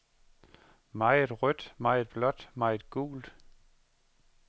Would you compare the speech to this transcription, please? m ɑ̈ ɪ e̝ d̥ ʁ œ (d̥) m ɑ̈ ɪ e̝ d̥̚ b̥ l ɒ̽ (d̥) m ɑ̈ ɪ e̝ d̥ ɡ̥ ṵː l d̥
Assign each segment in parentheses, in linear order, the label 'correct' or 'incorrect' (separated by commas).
correct, correct